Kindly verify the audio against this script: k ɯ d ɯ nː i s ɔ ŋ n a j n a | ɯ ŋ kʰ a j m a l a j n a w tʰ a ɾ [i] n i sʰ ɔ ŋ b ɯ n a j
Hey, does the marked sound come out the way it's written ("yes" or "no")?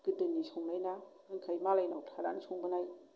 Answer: no